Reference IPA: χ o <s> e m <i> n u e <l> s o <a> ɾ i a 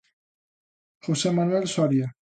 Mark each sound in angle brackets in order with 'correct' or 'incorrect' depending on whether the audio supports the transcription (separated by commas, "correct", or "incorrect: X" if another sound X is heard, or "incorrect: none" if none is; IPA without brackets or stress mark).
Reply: correct, incorrect: a, correct, correct